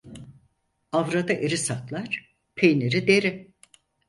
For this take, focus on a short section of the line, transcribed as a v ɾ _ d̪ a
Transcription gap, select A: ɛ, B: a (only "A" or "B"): B